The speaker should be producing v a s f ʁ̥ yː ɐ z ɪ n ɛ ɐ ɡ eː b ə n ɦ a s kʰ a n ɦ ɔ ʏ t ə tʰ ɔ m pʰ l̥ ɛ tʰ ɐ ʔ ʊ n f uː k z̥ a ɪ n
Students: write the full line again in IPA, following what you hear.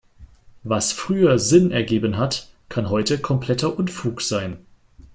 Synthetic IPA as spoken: v a s f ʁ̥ yː ɐ z ɪ n ɛ ɐ ɡ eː b ə n ɦ a t kʰ a n ɦ ɔ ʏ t ə kʰ ɔ m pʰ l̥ ɛ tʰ ɐ ʔ ʊ n f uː k z̥ a ɪ n